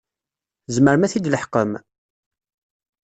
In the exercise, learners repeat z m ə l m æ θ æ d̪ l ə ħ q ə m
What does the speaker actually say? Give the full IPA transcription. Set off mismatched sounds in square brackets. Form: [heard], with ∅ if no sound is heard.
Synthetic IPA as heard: z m ə [ɾ] m æ θ [i] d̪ l ə ħ q ə m